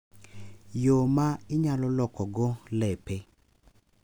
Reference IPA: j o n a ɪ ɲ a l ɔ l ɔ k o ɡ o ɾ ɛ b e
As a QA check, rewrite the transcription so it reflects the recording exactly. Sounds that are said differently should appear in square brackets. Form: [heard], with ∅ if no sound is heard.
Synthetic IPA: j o [m] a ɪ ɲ a l ɔ l ɔ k [ɔ] ɡ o [l] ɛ [p] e